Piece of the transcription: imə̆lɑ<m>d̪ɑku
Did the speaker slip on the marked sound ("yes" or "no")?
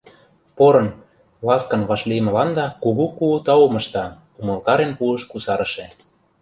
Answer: yes